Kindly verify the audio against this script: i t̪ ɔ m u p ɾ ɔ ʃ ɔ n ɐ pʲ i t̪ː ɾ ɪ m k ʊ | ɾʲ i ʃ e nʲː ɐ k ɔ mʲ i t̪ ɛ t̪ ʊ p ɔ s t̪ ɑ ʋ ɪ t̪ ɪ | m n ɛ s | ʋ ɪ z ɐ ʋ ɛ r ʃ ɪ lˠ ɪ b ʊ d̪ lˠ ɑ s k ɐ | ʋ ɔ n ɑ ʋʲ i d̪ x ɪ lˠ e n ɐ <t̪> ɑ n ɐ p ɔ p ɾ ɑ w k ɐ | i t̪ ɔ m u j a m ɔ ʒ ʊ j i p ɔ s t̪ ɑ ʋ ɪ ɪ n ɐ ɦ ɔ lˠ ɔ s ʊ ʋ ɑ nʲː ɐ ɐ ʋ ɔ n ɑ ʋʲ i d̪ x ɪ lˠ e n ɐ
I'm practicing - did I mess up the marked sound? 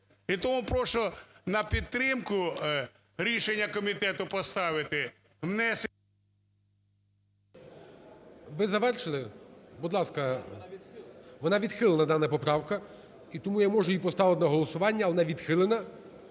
yes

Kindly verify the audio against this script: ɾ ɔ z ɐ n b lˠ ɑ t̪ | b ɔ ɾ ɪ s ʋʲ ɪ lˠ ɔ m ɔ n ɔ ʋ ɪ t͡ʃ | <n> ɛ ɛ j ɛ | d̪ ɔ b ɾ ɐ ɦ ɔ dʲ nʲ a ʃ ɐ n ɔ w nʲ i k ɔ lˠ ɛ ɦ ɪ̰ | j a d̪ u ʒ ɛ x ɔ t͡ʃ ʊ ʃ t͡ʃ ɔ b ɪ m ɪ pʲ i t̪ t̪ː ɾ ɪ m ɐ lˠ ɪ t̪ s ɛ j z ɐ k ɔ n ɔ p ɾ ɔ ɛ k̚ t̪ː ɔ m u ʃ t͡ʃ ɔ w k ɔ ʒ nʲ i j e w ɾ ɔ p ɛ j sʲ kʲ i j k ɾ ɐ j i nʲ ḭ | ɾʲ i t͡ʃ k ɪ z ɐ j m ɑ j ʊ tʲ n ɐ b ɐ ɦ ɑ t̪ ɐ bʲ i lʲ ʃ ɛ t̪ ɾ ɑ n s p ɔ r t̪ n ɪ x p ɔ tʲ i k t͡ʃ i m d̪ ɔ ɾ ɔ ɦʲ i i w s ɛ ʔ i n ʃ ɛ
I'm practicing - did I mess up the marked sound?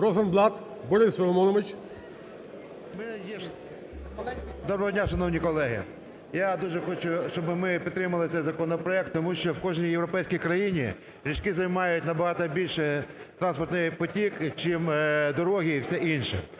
yes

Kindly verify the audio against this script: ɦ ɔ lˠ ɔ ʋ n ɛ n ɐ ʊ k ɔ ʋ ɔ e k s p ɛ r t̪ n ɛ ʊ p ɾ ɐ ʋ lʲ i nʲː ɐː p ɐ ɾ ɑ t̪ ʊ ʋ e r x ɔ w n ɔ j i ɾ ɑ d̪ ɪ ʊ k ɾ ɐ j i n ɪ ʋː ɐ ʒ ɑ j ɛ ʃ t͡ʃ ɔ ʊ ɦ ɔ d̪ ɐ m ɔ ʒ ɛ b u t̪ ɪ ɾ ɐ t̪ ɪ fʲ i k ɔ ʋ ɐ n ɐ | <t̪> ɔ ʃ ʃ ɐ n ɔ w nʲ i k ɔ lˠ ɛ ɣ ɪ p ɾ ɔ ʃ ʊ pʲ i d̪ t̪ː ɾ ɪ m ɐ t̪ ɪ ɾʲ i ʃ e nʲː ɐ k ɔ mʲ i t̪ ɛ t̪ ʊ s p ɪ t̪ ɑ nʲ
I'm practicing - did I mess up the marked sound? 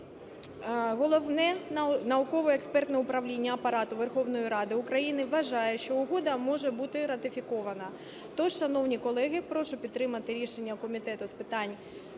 no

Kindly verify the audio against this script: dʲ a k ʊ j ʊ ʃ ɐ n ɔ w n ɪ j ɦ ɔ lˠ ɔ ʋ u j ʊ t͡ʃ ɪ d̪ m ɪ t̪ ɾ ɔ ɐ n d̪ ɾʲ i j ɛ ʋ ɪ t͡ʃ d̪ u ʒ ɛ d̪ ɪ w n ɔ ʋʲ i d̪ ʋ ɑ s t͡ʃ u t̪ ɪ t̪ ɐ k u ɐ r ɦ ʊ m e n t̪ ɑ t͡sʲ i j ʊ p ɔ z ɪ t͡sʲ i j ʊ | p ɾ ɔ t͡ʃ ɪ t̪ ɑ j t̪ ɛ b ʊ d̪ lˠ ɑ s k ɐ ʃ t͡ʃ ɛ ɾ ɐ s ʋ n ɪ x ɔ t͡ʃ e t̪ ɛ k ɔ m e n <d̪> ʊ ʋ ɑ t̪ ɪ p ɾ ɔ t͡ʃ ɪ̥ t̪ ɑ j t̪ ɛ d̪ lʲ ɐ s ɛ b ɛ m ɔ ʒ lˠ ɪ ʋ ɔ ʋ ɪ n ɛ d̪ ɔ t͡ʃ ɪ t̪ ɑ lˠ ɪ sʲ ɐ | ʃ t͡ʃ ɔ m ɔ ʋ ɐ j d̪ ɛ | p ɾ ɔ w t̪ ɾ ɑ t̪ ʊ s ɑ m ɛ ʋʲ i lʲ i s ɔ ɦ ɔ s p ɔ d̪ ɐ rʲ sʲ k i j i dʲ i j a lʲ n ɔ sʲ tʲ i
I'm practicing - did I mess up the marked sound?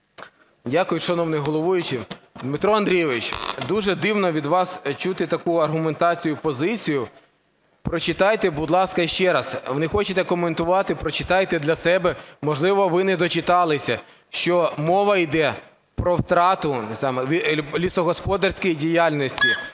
yes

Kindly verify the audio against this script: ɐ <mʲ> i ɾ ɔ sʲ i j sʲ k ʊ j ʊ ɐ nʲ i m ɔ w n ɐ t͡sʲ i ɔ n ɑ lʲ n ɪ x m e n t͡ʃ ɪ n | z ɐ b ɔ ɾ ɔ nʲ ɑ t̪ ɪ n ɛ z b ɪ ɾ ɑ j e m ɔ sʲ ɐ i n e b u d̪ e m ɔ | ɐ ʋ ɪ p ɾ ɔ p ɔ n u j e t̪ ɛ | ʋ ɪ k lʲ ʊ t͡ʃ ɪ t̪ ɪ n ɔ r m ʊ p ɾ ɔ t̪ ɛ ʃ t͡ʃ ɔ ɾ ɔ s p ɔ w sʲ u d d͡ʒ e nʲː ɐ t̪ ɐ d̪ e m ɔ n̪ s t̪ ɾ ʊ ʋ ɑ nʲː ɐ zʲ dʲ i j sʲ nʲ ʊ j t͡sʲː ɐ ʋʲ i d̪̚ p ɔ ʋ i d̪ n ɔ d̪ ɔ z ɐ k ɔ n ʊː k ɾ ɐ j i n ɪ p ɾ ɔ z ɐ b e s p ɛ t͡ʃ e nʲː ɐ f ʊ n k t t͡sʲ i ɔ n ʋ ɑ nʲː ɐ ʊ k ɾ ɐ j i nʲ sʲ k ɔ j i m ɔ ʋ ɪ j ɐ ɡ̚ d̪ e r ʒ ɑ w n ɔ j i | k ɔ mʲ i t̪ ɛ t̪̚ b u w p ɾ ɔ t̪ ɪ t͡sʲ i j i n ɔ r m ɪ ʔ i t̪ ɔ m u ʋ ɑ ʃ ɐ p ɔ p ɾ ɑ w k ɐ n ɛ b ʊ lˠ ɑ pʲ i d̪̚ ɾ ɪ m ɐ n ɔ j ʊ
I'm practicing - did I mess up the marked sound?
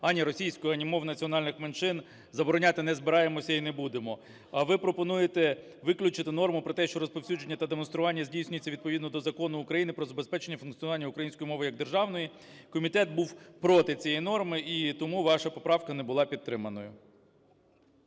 yes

